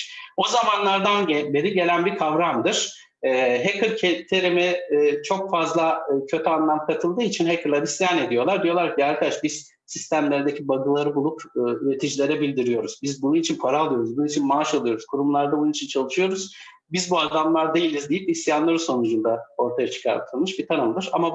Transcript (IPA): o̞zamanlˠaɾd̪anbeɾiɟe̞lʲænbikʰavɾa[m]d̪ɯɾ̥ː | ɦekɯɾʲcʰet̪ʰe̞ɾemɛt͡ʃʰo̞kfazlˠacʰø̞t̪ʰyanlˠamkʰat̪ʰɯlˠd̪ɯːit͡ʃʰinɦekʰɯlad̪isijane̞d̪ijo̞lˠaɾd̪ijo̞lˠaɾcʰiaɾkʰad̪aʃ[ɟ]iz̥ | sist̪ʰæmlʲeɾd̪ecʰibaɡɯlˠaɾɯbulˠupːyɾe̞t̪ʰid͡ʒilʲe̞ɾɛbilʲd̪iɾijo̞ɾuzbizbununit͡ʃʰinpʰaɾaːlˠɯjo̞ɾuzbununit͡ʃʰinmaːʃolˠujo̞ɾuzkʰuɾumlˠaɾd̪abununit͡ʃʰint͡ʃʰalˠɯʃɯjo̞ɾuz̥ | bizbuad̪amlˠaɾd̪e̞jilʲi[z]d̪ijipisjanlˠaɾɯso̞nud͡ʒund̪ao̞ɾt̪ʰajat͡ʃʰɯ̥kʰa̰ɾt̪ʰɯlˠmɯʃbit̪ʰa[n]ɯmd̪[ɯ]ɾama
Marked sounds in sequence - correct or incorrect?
correct, incorrect, correct, correct, correct

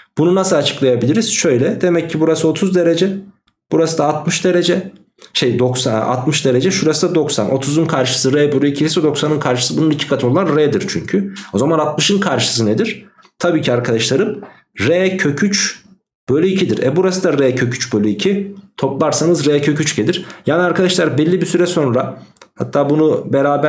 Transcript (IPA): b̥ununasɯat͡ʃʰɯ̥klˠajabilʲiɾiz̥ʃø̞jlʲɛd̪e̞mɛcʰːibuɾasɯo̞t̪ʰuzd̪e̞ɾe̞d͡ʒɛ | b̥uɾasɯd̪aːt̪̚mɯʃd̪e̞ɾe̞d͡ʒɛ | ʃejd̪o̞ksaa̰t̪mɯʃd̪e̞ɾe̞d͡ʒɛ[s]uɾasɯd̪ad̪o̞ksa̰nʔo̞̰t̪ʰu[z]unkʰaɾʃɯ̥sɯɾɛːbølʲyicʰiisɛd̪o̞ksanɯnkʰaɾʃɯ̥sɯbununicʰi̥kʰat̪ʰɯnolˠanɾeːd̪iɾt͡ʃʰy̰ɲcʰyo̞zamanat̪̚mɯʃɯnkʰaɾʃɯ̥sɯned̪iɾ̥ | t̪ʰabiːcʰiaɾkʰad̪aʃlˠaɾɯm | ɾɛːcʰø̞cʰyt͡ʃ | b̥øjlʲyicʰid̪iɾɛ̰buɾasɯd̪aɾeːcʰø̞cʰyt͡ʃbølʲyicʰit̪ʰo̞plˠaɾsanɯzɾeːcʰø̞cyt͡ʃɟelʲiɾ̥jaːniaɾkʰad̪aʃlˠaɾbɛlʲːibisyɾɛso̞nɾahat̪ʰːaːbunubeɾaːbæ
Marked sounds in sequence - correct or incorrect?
incorrect, correct

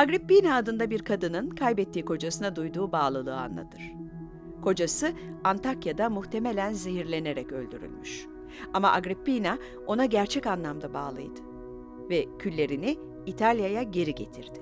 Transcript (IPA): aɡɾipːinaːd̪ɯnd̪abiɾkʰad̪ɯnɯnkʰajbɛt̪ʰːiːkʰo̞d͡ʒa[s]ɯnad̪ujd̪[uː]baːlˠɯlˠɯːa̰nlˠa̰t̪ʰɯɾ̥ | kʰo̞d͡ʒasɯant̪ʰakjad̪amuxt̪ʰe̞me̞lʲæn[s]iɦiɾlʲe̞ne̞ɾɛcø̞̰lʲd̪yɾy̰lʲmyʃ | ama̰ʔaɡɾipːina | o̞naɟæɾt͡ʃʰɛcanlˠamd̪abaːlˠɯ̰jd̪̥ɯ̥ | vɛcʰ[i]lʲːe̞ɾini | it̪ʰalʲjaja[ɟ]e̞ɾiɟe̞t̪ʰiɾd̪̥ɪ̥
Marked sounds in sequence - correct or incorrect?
correct, correct, incorrect, incorrect, correct

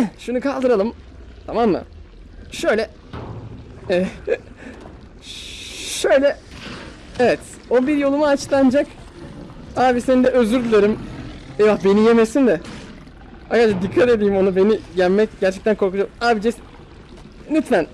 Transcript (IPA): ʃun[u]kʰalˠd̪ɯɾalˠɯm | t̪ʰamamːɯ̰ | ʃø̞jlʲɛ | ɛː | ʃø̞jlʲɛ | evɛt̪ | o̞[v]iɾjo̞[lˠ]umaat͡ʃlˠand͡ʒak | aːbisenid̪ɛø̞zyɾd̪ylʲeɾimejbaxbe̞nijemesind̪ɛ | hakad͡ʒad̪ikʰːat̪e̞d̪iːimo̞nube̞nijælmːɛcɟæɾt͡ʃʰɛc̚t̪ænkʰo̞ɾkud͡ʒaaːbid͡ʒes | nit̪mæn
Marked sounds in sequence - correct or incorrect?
correct, incorrect, correct

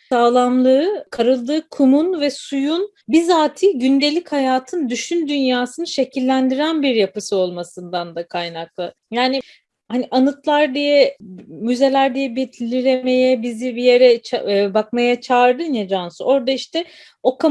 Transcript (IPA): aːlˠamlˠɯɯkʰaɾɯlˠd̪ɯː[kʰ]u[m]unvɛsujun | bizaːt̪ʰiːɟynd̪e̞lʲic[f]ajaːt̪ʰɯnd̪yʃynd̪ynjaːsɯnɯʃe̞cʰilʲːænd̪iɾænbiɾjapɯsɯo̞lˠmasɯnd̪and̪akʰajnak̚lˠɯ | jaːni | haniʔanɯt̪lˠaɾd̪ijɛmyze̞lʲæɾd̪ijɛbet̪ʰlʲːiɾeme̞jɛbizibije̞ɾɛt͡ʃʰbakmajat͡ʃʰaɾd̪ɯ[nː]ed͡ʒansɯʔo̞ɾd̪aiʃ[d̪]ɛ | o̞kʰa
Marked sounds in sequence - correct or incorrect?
correct, correct, incorrect, incorrect, incorrect

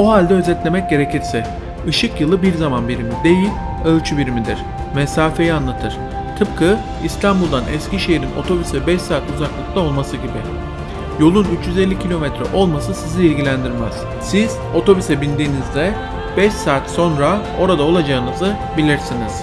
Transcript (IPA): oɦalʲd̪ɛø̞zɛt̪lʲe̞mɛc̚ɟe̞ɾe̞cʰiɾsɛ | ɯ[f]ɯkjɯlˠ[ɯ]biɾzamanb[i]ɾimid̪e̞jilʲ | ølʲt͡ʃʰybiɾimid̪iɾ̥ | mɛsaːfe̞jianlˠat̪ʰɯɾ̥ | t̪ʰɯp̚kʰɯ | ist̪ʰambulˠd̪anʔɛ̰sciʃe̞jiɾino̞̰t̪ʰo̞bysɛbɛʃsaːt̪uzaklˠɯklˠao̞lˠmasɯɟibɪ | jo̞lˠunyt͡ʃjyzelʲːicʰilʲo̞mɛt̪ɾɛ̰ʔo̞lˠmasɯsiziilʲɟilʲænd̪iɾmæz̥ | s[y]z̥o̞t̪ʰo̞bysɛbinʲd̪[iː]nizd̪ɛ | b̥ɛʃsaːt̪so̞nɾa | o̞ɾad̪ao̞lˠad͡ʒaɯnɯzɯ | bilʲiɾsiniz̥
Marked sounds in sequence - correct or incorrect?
incorrect, correct, correct, incorrect, correct

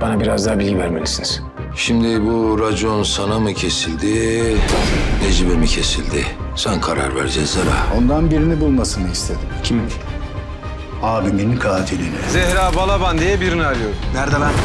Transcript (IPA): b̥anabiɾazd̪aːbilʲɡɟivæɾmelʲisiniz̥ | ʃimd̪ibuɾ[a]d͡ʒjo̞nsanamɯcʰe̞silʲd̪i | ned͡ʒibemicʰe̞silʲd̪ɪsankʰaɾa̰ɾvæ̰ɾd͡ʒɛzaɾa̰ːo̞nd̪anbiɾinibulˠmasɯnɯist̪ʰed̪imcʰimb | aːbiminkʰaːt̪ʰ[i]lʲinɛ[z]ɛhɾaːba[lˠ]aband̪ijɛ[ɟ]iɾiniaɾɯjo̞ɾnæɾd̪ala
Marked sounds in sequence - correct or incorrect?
correct, correct, correct, correct, incorrect

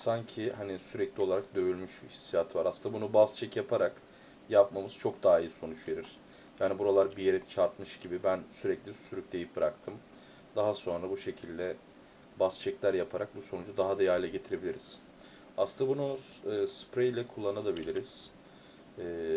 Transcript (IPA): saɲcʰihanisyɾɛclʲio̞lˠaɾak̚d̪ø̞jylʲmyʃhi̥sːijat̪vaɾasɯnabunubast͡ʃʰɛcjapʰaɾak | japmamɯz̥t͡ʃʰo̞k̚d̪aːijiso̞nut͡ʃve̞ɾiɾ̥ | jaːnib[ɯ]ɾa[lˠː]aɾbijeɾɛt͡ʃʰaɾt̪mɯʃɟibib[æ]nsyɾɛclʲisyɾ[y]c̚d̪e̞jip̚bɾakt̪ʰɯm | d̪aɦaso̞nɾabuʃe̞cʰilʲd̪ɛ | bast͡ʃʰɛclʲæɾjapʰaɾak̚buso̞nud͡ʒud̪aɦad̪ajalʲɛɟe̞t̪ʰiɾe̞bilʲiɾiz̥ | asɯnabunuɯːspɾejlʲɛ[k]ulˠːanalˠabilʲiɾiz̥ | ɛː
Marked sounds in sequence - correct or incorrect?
incorrect, incorrect, correct, correct, incorrect

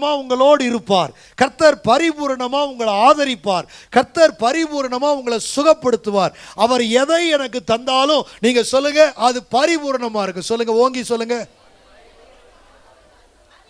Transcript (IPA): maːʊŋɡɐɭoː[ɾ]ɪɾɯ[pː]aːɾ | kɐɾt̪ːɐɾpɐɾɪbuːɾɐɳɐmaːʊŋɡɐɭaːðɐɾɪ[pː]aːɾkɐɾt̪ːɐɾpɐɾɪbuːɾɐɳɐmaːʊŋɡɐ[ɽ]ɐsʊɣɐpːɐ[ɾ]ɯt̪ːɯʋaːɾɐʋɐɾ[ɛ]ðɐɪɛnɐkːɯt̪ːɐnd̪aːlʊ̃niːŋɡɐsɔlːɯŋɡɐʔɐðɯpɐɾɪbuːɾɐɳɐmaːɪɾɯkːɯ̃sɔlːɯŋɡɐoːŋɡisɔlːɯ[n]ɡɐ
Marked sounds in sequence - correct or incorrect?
incorrect, correct, correct, incorrect, incorrect, correct, incorrect

